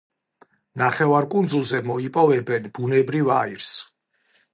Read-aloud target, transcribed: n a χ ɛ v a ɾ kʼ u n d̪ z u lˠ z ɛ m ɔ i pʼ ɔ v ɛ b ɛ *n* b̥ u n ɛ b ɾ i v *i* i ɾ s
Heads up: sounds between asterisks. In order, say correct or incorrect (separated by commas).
correct, incorrect